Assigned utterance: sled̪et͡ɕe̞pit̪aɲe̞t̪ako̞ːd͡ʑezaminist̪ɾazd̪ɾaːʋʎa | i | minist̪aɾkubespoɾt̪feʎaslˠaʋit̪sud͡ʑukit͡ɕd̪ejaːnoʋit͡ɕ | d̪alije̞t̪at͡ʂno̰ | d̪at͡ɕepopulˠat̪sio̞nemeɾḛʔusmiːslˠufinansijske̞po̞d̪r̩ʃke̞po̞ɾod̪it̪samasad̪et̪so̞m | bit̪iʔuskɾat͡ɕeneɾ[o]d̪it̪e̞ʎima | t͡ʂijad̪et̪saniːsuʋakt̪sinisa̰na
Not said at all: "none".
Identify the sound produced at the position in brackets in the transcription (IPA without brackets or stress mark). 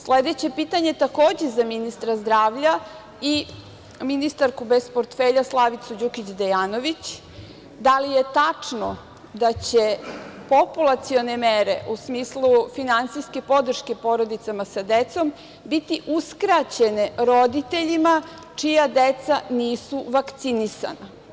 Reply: o